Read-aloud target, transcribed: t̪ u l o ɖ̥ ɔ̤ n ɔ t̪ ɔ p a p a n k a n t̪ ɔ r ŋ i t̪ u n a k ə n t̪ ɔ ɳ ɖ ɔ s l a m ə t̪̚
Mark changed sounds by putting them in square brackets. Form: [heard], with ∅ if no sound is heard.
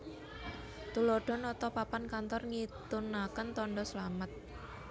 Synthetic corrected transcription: t̪ u l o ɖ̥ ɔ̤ n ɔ t̪ ɔ p a p a n k a n t̪ ɔ r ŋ i t̪ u n a k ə n t̪ ɔ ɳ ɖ ɔ s l a m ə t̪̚